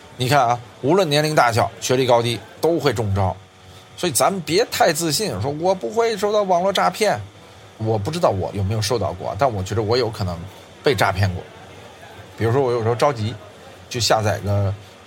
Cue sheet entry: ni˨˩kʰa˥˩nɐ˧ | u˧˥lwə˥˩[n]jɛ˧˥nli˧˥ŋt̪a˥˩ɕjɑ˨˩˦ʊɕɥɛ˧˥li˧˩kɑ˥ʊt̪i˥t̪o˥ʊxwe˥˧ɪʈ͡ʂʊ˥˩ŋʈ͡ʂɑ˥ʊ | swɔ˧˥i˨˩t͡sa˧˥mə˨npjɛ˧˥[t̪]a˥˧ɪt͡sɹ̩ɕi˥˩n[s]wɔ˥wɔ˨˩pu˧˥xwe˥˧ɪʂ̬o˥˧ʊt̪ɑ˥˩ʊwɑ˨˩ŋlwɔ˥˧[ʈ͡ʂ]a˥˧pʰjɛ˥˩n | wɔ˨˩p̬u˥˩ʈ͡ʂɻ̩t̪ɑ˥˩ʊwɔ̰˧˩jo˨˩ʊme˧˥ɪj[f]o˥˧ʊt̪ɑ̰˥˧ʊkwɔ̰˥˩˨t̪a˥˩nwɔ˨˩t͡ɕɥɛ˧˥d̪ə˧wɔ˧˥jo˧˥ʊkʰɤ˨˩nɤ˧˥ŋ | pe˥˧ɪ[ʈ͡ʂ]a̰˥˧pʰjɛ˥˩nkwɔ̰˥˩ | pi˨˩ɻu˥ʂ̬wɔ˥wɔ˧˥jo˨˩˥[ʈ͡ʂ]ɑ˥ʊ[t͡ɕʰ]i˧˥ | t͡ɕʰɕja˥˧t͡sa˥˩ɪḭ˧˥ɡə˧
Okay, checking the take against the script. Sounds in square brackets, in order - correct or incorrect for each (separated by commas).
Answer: correct, incorrect, incorrect, correct, incorrect, correct, correct, incorrect